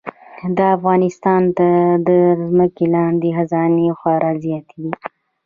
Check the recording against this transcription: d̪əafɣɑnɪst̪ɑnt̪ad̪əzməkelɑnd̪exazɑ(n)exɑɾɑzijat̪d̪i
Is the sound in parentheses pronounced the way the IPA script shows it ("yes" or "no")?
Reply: yes